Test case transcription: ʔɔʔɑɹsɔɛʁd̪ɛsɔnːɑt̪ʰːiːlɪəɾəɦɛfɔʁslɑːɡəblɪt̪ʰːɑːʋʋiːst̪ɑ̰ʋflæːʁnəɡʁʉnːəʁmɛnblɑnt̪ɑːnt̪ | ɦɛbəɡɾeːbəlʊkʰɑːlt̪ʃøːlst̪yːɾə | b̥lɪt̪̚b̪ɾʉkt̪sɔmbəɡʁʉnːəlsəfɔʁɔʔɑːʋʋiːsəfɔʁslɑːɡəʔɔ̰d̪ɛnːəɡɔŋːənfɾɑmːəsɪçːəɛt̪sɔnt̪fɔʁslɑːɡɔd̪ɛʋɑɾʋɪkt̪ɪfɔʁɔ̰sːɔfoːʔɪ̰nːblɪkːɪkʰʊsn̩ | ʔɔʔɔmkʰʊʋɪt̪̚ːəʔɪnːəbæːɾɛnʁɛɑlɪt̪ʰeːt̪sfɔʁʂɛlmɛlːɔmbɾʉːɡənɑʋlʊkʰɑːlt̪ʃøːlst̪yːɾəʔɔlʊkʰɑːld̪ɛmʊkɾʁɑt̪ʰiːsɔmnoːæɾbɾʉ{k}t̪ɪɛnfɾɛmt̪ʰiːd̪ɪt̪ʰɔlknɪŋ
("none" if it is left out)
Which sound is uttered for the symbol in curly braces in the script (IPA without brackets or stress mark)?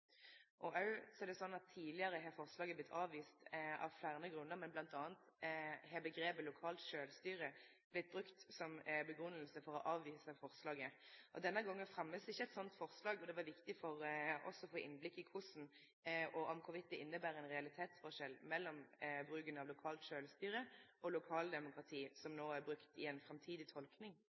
k